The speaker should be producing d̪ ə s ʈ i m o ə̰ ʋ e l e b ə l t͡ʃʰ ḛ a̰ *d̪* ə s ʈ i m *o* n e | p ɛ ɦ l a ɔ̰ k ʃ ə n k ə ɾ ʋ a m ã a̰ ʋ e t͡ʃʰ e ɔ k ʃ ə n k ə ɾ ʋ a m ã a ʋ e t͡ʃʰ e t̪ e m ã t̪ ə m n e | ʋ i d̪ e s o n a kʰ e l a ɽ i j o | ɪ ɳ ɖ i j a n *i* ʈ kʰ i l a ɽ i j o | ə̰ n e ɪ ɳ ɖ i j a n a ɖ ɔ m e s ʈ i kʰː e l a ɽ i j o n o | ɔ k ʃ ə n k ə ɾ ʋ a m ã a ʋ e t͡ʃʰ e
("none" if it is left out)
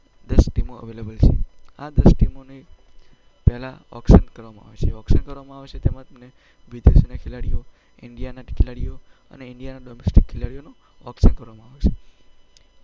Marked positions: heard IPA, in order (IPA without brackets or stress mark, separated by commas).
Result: d̪, o, a